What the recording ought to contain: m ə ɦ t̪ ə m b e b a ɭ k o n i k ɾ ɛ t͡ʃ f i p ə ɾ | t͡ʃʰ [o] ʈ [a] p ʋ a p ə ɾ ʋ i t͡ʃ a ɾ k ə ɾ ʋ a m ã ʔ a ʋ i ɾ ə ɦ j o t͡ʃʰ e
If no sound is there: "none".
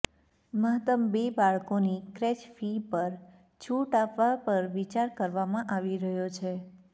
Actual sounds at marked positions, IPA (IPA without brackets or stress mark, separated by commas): u, a